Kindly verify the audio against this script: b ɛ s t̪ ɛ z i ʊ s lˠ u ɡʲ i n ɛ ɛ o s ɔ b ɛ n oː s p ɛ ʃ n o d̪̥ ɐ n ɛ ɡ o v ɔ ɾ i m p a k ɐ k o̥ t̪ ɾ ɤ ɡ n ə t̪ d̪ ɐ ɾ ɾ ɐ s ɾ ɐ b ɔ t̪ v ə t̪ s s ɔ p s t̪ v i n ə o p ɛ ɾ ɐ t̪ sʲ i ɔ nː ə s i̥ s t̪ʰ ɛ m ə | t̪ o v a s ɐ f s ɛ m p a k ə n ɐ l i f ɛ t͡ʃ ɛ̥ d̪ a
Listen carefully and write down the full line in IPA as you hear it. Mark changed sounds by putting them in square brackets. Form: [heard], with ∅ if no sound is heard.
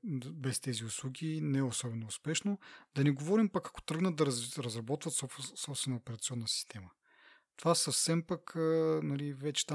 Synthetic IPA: b ɛ s t̪ ɛ z i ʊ s lˠ u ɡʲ i n ɛ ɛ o s ɔ b ɛ n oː s p ɛ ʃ n o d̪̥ ɐ n ɛ ɡ o v ɔ ɾ i m p a k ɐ k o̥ t̪ ɾ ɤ ɡ n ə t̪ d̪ ɐ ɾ ɾ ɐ [z] ɾ ɐ b ɔ t̪ v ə t̪ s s ɔ p s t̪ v [ɛ] n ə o p ɛ ɾ ɐ t̪ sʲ i ɔ nː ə s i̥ s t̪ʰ ɛ m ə | t̪ o v a s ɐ f s ɛ m p a k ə n ɐ l i [v] ɛ t͡ʃ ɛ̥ [t̪] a